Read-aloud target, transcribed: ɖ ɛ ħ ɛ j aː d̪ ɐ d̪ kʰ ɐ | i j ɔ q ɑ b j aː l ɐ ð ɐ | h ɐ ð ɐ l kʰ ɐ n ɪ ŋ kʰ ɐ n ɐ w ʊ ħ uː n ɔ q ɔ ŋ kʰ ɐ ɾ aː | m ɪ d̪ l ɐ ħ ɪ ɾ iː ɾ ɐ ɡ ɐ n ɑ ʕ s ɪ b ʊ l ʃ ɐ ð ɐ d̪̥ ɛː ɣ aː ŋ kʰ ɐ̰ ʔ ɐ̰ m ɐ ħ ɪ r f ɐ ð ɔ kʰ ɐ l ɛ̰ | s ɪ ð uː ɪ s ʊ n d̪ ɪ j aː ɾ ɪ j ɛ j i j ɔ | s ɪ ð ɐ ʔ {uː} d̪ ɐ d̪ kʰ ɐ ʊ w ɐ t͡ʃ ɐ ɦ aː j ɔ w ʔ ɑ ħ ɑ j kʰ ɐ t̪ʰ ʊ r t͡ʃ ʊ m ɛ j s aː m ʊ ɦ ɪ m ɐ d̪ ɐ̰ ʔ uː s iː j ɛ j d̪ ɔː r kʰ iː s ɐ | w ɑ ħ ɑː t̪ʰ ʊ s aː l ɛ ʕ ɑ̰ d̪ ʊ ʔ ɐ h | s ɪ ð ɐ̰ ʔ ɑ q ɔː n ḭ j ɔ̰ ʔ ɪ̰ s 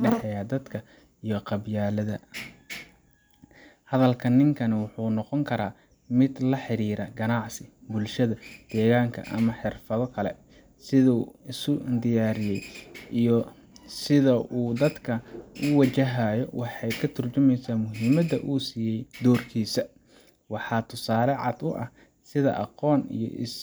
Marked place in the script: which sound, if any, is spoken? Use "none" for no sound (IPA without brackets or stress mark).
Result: uː